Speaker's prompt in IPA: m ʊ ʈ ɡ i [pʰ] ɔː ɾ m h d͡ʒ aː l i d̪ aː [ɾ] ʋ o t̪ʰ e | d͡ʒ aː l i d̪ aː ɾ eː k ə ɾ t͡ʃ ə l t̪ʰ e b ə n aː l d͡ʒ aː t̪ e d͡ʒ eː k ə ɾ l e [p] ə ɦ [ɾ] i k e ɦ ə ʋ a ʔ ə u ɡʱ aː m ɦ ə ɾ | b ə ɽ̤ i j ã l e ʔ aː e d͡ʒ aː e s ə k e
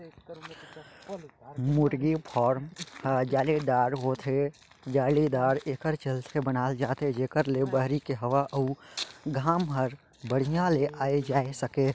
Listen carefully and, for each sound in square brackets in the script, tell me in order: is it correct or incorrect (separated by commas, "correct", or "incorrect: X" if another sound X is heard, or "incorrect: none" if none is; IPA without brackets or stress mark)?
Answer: correct, correct, incorrect: b, correct